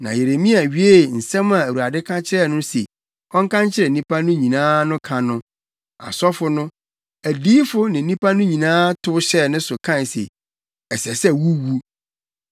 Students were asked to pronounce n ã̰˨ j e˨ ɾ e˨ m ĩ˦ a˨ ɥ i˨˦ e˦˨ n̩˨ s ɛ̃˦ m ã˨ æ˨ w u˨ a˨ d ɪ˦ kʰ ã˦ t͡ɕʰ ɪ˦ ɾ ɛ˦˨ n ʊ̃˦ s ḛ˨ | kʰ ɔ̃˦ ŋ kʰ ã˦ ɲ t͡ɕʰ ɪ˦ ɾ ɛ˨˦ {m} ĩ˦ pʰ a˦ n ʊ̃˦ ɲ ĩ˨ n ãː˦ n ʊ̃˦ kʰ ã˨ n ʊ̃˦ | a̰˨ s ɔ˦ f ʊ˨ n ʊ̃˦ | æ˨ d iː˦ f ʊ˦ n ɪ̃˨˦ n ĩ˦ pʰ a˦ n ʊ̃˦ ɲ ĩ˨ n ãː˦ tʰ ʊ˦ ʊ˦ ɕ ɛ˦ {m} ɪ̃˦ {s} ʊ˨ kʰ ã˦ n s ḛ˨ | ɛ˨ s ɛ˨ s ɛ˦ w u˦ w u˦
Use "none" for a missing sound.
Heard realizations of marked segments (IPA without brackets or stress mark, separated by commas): n, n, s